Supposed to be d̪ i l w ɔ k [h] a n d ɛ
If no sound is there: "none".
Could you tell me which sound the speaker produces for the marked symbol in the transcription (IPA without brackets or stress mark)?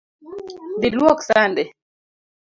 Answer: s